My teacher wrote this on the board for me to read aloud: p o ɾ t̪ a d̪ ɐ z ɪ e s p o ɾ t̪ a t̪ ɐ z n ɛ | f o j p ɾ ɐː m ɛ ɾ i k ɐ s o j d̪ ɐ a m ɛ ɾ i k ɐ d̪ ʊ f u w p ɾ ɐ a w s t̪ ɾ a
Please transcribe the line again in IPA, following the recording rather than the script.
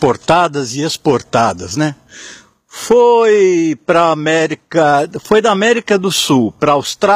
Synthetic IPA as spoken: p o ɾ t̪ a d̪ ɐ z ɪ e s p o ɾ t̪ a d̪ ɐ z n ɛ | f o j p ɾ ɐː m ɛ ɾ i k ɐ f o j d̪ ɐ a m ɛ ɾ i k ɐ d̪ ʊ s u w p ɾ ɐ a w s t̪ ɾ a